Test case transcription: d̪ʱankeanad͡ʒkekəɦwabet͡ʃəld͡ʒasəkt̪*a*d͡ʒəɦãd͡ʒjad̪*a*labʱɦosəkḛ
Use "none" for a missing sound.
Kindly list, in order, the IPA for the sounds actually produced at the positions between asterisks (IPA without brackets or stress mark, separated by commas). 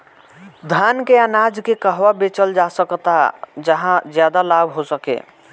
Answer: a, a